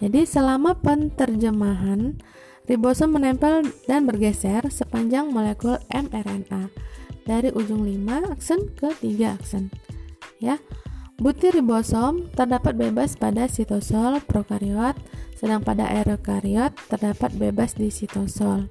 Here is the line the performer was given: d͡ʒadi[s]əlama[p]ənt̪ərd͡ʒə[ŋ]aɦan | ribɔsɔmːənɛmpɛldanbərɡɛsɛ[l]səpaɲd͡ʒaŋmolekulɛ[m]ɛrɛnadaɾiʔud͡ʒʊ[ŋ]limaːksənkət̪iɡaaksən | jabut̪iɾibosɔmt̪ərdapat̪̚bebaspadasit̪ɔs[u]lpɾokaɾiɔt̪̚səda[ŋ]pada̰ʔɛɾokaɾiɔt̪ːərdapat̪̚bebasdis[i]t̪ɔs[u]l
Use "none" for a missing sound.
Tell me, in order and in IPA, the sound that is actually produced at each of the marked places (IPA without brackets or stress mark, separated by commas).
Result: s, p, m, r, m, ŋ, ɔ, ŋ, i, ɔ